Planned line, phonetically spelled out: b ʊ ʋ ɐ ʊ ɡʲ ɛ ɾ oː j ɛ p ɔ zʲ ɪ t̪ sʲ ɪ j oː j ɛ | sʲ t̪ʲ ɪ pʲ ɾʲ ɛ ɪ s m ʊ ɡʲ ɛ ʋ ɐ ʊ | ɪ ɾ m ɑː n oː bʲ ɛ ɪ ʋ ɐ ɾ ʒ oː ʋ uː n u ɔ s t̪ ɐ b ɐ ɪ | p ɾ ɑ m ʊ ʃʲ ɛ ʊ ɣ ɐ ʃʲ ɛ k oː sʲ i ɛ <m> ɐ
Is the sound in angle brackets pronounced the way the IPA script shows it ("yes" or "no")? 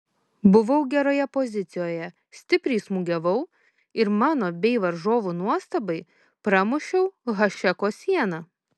no